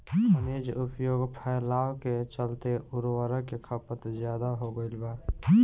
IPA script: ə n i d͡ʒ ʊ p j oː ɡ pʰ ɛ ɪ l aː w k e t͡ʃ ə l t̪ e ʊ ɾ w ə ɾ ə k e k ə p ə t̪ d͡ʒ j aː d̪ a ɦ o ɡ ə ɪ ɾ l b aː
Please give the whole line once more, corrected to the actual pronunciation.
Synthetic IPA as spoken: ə n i d͡ʒ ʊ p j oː ɡ pʰ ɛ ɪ l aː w k e t͡ʃ ə l t̪ e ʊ ɾ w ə ɾ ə k e kʰ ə p ə t̪ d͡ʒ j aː d̪ a ɦ o ɡ ə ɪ l b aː

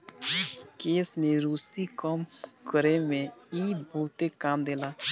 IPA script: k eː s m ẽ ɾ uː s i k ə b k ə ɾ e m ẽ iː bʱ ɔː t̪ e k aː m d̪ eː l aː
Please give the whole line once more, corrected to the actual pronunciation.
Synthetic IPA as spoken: k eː s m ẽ ɾ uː s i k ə m k ə ɾ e m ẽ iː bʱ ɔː t̪ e k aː m d̪ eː l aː

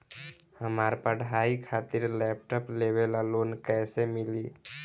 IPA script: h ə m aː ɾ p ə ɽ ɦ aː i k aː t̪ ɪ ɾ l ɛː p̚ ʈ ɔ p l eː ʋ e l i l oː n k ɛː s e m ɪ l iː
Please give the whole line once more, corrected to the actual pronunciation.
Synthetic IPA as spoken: h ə m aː ɾ p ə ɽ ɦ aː i kʰ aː t̪ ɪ ɾ l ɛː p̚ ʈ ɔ p l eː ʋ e l a l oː n k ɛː s e m ɪ l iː

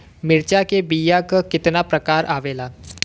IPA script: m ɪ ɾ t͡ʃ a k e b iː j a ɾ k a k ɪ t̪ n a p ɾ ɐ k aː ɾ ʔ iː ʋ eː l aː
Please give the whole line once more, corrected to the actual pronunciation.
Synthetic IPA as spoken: m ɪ ɾ t͡ʃ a k e b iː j a k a k ɪ t̪ n a p ɾ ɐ k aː ɾ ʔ aː ʋ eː l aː

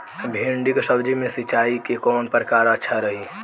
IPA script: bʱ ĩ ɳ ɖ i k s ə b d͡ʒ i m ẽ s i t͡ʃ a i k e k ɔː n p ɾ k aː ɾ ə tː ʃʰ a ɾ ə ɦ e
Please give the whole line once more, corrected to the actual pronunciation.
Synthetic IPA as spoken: bʱ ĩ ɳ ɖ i k s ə b d͡ʒ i m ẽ s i t͡ʃ a i k e k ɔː n p ɾ k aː ɾ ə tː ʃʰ a ɾ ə ɦ i

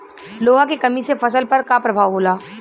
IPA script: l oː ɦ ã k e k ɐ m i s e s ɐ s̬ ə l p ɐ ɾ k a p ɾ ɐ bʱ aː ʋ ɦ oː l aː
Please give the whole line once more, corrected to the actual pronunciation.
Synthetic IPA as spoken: l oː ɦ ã k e k ɐ m i s e f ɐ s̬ ə l p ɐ ɾ k a p ɾ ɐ bʱ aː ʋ ɦ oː l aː

